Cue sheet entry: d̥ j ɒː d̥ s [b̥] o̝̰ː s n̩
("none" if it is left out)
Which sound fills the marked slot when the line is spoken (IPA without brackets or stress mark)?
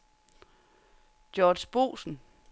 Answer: b̥